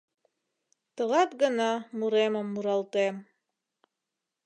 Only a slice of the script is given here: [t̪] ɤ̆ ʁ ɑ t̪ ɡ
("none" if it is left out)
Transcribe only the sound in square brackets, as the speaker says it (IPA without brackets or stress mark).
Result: t̪